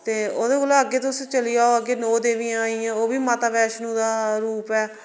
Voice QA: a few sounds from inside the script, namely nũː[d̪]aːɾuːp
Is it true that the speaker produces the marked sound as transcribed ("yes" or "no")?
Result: yes